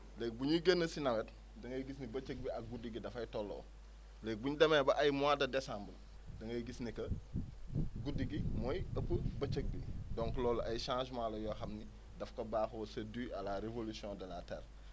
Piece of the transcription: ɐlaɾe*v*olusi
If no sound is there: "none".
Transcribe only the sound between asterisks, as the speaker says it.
v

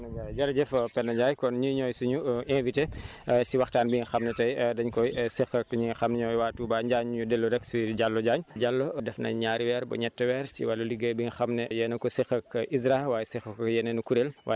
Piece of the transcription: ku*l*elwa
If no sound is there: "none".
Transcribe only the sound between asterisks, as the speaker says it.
ɾ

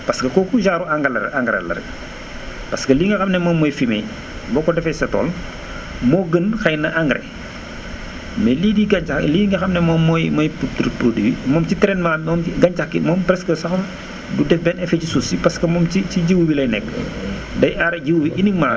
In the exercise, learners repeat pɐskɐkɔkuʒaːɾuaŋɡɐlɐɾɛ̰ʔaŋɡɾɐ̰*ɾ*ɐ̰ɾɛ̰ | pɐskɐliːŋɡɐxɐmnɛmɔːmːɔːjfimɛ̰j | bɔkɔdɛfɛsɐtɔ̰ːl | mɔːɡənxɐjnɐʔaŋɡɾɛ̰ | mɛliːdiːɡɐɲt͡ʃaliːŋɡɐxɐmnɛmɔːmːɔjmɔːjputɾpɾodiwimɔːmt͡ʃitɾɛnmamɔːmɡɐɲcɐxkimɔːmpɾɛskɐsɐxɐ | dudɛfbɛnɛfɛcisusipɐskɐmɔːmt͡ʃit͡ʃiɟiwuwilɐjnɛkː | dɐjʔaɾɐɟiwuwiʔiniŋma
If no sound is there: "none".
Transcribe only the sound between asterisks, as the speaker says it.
l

